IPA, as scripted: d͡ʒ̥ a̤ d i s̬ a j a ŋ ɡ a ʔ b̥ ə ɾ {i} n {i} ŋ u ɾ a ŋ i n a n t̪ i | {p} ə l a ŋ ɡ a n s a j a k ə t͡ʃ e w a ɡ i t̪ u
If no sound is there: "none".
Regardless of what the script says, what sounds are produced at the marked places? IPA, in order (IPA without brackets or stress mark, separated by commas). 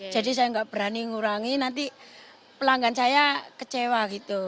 a, i, p